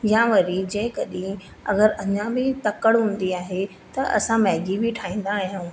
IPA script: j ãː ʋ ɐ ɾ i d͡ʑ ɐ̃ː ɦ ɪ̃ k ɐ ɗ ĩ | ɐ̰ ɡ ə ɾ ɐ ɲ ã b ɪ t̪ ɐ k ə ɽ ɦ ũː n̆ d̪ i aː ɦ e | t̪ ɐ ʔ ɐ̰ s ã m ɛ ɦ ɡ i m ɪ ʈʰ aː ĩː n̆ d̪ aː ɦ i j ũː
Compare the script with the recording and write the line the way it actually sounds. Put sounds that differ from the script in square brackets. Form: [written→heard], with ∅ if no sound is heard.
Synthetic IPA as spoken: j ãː ʋ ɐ ɾ i d͡ʑ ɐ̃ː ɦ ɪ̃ k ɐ ɗ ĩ | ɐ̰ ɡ ə ɾ ɐ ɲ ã b ɪ t̪ ɐ k ə ɽ ɦ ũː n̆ d̪ i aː ɦ e | t̪ ɐ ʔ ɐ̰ s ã m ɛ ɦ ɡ i [m→b] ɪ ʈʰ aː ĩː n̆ d̪ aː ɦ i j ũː